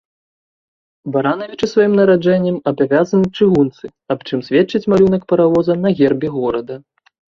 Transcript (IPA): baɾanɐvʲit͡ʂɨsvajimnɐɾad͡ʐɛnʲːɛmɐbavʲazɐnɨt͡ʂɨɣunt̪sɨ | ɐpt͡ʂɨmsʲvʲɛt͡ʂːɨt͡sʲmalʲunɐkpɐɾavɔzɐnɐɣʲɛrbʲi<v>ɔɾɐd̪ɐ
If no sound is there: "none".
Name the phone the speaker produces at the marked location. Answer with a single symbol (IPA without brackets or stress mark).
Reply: ɣ